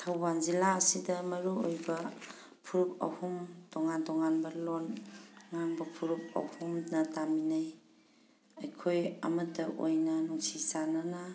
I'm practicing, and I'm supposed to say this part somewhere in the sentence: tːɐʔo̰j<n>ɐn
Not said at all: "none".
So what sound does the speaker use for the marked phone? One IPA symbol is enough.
n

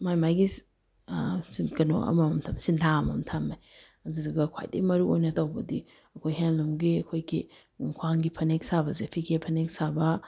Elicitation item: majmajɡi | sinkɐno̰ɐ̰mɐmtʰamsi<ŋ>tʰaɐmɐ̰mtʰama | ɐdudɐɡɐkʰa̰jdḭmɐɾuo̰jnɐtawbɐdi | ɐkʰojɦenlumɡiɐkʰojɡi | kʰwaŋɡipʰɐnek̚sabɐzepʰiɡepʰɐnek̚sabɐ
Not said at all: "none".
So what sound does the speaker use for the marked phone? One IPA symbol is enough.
n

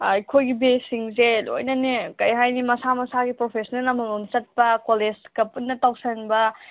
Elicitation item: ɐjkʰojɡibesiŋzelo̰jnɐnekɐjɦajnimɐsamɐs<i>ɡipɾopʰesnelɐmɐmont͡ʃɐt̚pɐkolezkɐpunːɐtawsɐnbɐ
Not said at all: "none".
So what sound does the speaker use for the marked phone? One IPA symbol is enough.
a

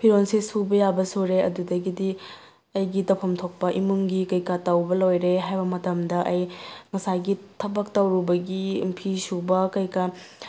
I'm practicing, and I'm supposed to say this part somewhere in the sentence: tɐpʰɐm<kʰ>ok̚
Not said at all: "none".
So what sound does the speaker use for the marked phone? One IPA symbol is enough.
tʰ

